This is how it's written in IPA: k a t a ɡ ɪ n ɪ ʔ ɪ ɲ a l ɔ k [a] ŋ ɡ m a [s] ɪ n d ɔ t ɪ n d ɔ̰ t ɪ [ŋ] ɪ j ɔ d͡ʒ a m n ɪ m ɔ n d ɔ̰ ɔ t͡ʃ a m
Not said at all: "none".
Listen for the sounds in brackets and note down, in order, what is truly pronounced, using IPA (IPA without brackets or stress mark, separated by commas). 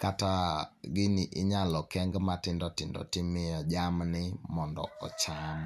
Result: ɛ, t, m